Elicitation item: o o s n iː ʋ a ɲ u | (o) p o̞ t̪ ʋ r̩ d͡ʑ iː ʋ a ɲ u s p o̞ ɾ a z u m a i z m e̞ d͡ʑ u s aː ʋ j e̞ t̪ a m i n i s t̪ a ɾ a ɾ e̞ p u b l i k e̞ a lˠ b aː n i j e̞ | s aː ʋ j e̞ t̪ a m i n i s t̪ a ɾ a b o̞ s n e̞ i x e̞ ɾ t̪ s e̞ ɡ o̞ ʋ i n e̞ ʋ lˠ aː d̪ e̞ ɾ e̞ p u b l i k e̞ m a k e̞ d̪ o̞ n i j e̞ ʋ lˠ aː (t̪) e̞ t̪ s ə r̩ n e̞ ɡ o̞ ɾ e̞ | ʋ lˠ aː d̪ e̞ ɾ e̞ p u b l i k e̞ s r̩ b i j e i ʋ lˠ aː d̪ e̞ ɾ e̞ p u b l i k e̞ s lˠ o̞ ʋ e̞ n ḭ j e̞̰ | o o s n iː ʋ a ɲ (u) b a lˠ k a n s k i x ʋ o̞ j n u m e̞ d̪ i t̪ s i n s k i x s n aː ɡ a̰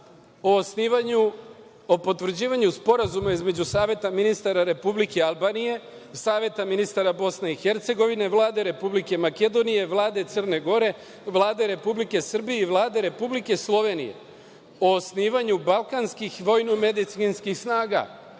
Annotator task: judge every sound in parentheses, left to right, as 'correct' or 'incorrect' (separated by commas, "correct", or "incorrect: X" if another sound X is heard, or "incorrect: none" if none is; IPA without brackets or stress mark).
correct, incorrect: d̪, correct